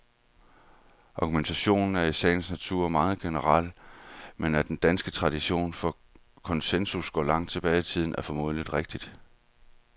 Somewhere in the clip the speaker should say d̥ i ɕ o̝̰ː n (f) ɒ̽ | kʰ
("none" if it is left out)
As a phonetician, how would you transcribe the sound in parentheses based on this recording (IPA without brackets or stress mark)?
f